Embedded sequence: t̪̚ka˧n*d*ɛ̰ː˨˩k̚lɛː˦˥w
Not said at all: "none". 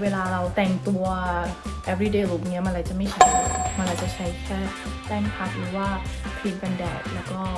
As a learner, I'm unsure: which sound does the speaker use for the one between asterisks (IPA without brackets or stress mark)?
d